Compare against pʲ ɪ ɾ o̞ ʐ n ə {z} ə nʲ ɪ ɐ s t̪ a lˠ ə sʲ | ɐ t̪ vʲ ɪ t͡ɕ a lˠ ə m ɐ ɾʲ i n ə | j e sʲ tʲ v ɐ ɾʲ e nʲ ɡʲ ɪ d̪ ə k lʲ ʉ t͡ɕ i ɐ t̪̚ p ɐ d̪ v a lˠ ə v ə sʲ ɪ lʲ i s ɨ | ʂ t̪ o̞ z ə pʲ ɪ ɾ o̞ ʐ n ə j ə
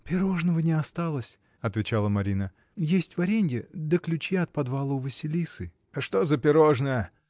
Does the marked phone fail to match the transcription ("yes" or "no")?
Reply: yes